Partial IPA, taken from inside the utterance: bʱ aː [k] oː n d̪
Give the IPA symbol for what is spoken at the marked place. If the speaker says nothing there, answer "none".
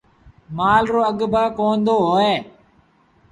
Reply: k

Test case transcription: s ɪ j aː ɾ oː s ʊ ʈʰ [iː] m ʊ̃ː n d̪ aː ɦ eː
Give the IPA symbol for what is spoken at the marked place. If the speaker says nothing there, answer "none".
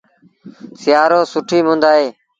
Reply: iː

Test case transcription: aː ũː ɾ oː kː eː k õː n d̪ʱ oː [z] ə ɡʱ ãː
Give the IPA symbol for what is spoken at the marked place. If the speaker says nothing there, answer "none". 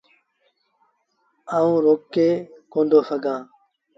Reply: s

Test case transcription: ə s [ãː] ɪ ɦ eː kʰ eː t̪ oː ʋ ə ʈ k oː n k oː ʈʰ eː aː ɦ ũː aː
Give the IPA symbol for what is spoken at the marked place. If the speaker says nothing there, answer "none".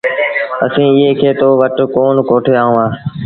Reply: ĩː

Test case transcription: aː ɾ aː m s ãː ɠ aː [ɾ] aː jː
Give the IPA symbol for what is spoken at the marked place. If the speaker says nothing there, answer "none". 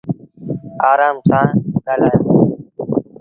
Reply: l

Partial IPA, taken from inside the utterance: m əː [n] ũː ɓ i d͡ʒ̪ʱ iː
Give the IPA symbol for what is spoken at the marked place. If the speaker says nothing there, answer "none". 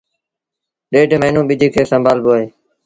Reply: n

